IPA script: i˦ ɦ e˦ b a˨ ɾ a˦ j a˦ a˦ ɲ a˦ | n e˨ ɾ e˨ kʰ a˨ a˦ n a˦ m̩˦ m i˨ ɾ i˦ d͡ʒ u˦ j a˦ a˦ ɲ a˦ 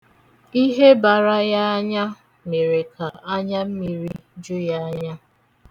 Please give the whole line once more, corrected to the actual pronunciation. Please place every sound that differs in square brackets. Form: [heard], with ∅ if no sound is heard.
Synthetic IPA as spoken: i˦ ɦ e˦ b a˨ ɾ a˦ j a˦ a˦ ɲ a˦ | [m] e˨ ɾ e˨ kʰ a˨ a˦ [ɲ] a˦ m̩˦ m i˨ ɾ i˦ d͡ʒ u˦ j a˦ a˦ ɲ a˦